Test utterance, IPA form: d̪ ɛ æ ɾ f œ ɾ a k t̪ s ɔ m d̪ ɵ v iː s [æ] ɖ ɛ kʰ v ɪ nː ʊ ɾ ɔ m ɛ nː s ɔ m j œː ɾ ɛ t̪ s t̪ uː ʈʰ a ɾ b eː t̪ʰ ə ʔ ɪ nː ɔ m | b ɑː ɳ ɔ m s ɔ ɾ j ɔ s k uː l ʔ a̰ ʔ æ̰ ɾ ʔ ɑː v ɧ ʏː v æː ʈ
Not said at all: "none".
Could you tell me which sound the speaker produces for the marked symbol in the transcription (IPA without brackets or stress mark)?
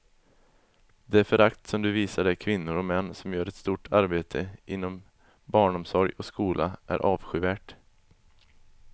a